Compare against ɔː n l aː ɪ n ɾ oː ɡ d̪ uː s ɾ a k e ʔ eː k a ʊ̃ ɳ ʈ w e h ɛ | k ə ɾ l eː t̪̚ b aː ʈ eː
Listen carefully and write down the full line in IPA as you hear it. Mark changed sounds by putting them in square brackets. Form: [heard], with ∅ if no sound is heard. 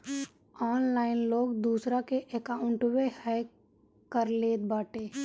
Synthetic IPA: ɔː n l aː ɪ n [l] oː ɡ d̪ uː s ɾ a k e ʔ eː k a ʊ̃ ɳ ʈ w e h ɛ | k ə ɾ l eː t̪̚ b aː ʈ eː